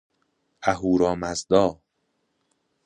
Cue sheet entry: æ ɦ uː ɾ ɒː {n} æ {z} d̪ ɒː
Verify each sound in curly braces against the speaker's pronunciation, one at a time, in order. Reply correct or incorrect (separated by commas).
incorrect, correct